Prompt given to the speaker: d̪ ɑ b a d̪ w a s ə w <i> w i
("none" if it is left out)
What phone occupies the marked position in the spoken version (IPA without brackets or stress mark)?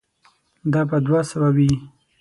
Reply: a